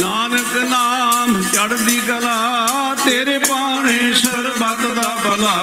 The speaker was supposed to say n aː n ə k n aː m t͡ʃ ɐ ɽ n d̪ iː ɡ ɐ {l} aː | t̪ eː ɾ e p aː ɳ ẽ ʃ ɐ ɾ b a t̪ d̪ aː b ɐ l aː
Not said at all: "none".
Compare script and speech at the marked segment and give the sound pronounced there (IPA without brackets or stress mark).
l